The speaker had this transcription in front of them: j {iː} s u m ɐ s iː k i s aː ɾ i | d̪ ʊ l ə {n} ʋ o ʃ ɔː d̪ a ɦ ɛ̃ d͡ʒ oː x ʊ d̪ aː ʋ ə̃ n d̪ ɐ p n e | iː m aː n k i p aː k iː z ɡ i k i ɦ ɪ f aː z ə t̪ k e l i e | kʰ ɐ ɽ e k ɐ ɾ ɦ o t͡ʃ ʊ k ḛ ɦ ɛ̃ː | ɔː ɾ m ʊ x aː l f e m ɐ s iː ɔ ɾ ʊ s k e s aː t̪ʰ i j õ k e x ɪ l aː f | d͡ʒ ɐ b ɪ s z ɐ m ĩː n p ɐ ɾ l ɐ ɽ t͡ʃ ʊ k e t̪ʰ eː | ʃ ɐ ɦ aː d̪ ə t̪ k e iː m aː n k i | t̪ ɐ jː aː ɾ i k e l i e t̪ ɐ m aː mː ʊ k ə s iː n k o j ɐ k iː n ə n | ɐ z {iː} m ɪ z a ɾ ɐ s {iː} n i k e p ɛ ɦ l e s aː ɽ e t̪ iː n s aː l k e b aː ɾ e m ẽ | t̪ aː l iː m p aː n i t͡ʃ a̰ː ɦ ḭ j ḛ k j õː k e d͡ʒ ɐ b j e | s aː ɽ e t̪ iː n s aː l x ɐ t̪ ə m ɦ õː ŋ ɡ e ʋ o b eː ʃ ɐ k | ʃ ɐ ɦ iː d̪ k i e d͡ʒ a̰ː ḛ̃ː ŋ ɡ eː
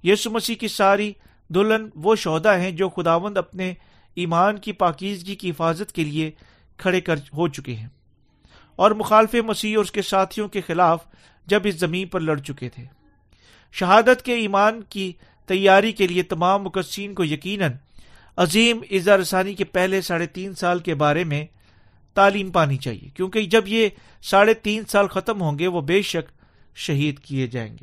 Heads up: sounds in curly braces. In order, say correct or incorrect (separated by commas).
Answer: correct, correct, correct, incorrect